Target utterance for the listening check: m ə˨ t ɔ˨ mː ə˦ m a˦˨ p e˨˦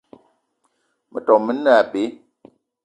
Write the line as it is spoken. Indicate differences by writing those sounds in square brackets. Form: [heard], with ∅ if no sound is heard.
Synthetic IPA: m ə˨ t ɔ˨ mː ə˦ [n] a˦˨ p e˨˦

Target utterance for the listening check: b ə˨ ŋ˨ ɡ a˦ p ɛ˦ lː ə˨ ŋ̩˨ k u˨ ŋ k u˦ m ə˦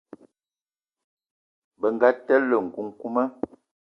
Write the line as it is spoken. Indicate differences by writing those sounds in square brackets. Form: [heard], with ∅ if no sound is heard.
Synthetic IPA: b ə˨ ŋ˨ ɡ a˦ [t] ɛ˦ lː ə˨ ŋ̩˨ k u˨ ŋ k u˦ m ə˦

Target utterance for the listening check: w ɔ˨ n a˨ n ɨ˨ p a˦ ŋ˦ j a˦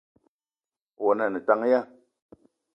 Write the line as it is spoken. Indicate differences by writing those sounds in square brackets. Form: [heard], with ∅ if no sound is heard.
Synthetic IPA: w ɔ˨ n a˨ n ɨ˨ [t] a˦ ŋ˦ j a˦

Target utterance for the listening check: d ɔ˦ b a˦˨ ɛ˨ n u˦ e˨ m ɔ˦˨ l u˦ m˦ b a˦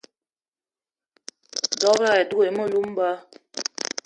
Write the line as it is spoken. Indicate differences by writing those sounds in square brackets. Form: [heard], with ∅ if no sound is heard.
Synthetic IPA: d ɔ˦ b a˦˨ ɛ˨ [d] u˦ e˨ m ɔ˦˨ l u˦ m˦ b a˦

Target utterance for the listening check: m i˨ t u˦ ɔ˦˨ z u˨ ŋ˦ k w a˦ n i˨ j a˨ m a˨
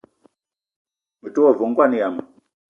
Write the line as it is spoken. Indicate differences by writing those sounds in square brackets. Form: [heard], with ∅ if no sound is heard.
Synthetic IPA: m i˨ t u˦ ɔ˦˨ [v] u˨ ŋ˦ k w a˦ n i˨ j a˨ m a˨

